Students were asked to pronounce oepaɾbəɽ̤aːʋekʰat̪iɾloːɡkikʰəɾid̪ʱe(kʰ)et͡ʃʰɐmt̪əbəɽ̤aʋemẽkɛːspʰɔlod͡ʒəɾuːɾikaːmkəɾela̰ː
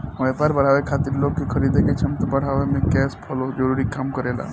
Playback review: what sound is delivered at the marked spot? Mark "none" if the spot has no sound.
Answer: k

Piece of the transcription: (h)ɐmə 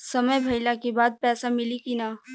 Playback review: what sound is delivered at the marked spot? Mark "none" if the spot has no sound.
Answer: s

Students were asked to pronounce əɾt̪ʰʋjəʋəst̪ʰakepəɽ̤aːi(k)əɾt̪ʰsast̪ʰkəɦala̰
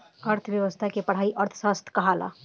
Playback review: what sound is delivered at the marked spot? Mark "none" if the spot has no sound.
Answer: ʔ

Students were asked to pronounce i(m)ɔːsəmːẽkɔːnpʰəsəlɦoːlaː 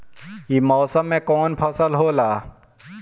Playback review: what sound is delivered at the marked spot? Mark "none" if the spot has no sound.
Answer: m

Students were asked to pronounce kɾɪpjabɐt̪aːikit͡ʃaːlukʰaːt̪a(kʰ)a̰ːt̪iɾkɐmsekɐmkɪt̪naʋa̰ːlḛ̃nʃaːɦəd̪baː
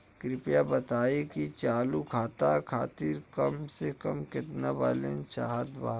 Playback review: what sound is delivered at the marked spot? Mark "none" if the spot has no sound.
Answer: kʰ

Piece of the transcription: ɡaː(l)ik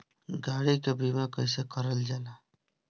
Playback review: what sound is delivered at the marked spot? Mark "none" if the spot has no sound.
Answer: ɽ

